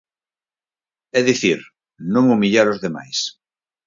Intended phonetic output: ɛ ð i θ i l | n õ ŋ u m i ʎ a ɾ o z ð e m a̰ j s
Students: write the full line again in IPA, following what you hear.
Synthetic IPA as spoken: ɛ ð i θ i ɾ | n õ ŋ u m i ʎ a ɾ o z ð e m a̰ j s